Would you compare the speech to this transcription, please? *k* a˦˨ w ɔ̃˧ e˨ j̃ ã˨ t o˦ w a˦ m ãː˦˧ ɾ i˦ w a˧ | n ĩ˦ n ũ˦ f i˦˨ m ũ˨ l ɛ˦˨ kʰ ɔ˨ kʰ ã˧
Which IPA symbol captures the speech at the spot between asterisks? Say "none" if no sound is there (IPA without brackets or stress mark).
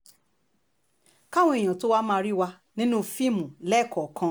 k